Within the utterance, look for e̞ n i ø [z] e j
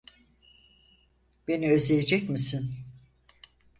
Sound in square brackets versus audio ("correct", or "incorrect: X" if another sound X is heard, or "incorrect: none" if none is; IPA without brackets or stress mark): correct